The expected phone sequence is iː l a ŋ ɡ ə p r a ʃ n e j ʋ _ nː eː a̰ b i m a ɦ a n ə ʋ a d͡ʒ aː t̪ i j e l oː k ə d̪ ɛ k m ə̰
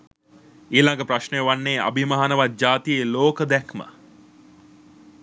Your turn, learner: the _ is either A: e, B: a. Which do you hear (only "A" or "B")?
B